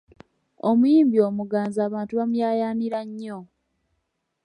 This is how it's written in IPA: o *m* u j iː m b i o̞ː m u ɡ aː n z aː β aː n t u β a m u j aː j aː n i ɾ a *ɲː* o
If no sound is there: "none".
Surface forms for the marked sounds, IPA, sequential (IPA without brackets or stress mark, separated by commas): m, ɲː